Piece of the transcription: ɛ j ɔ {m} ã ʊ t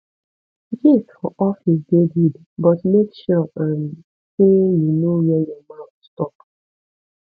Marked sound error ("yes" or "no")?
no